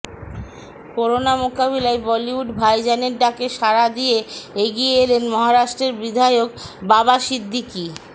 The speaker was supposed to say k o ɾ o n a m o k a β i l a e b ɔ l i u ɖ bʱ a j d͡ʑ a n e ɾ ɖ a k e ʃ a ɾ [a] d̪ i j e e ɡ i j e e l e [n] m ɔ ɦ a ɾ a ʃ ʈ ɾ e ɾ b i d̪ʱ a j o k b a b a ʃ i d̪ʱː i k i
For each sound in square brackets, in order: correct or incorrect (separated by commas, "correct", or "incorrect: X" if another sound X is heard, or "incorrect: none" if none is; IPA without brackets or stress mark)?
correct, correct